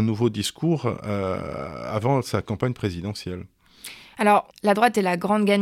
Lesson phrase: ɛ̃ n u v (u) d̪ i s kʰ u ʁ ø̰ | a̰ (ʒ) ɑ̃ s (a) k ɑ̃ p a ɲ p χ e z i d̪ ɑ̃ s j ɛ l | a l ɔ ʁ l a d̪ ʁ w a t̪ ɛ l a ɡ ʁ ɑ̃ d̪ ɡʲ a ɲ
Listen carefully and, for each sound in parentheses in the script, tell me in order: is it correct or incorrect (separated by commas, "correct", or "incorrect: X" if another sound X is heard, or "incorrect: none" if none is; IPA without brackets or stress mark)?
incorrect: o, incorrect: v, correct